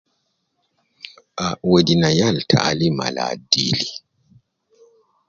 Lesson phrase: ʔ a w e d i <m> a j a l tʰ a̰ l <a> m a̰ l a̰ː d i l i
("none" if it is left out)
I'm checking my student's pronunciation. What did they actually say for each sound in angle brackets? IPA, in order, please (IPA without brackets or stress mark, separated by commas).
n, i